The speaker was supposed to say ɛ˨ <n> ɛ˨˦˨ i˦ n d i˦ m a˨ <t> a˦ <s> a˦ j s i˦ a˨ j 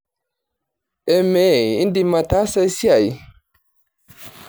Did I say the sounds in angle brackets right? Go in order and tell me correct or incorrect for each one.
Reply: incorrect, correct, correct

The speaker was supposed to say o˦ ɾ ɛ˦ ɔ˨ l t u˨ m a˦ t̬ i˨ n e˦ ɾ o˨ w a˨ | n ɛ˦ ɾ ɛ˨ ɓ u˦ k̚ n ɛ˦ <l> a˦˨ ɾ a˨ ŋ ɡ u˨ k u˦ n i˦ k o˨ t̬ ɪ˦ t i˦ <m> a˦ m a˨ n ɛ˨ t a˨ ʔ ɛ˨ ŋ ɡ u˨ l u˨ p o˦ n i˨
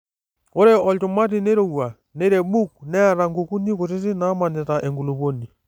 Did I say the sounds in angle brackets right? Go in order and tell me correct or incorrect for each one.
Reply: incorrect, incorrect

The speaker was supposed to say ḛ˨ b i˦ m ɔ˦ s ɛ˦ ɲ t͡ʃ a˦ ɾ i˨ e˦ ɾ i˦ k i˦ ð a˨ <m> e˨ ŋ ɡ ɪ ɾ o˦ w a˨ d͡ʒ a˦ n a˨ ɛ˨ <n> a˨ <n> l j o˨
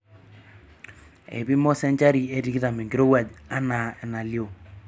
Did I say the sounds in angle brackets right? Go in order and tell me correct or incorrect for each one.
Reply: correct, correct, incorrect

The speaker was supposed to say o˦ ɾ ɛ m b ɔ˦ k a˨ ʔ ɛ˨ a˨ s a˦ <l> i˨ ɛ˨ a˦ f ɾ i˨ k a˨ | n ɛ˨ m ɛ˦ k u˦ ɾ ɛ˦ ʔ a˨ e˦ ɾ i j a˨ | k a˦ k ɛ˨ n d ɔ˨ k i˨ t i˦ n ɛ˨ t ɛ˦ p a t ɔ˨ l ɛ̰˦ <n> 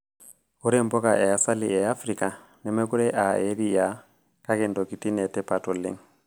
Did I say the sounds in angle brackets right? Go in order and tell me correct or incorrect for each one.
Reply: correct, incorrect

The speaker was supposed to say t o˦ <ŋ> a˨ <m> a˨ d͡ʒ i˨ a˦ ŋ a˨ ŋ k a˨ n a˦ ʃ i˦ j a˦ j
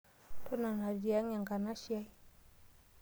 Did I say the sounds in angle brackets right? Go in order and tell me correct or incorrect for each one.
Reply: incorrect, incorrect

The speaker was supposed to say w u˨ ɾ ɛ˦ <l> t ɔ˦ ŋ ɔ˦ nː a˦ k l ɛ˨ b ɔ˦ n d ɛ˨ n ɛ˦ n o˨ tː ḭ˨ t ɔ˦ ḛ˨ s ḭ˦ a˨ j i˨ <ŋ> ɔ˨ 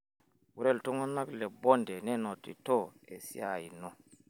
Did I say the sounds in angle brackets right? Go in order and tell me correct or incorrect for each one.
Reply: correct, incorrect

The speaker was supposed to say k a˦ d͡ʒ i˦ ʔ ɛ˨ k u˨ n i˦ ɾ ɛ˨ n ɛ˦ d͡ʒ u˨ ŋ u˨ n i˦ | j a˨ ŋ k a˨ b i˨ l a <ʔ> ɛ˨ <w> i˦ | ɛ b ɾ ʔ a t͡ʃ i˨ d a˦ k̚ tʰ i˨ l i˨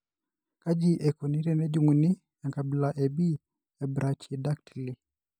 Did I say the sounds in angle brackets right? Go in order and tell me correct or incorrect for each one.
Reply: correct, incorrect

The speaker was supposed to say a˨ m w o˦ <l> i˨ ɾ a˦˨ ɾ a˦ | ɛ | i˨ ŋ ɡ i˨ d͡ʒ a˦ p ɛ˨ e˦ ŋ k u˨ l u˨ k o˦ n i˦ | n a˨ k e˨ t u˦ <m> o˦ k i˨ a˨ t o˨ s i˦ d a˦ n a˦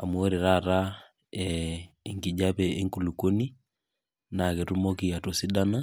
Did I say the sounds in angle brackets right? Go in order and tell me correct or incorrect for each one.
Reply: incorrect, correct

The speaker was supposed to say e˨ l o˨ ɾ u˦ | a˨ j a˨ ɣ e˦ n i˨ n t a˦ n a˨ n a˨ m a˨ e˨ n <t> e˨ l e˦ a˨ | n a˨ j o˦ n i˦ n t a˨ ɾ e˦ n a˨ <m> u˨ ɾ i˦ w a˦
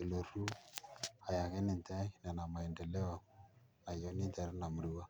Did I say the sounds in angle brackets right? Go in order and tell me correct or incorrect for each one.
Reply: incorrect, correct

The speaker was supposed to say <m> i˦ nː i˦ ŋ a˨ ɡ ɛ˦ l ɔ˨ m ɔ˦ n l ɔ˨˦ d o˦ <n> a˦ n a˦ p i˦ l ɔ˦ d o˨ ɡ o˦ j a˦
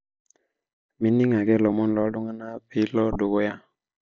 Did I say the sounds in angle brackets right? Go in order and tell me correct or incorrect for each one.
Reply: correct, incorrect

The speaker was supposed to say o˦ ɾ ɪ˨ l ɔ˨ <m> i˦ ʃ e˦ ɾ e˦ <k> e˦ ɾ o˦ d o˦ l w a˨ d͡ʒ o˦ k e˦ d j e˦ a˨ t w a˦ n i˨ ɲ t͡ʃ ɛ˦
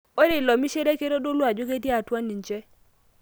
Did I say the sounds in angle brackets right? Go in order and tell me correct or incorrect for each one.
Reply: correct, correct

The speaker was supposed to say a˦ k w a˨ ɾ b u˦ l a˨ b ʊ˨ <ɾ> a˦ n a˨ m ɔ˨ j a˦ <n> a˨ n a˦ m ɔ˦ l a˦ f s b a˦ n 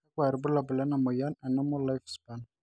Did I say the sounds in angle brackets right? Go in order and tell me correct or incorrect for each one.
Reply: incorrect, correct

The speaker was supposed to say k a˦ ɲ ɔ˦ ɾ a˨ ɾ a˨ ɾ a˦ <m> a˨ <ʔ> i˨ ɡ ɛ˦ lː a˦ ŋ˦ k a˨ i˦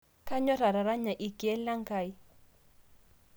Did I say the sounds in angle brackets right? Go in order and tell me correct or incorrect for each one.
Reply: incorrect, correct

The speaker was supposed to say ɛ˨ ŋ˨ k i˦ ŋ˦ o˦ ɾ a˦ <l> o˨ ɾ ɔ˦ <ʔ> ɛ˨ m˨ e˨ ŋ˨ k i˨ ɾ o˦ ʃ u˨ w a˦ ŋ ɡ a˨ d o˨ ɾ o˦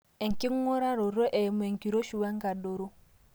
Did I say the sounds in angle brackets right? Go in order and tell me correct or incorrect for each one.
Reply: incorrect, correct

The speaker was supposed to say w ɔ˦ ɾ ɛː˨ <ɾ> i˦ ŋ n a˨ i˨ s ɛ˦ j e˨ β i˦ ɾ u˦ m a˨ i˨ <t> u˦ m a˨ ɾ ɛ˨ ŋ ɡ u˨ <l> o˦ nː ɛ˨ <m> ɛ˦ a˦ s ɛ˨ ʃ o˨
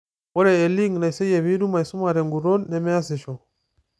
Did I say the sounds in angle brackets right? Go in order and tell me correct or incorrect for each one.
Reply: incorrect, incorrect, incorrect, correct

